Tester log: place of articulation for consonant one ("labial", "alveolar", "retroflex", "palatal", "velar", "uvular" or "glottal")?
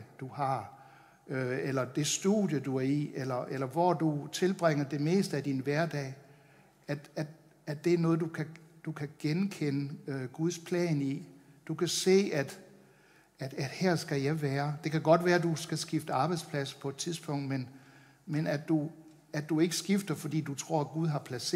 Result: alveolar